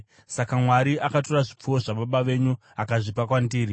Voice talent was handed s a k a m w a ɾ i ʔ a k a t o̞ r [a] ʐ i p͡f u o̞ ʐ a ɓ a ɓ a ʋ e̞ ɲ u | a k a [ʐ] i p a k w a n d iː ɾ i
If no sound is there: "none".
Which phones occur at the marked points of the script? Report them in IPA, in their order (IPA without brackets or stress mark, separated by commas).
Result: a, ʐ